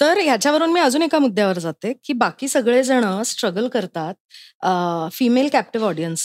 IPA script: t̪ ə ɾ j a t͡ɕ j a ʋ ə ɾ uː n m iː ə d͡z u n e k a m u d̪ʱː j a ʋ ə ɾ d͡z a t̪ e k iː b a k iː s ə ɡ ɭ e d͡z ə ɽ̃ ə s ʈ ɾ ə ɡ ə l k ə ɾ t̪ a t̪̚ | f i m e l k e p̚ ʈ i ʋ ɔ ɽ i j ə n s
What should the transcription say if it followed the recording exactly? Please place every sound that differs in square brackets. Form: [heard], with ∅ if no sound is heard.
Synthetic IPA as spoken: t̪ ə ɾ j a t͡ɕ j a ʋ ə ɾ uː n m iː ə d͡z [uː] n e k a m u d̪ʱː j a ʋ ə ɾ d͡z a t̪ e k iː b a k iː s ə ɡ ɭ e d͡z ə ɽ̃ ə s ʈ ɾ ə ɡ ə l k ə ɾ t̪ a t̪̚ | f i m e l k [æ] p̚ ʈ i ʋ ɔ ɽ i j ə n s